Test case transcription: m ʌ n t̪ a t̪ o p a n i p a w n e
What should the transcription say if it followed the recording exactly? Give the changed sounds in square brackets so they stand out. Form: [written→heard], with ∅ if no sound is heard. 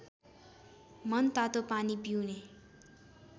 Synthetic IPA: m ʌ n t̪ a t̪ o p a n i p [a→i] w n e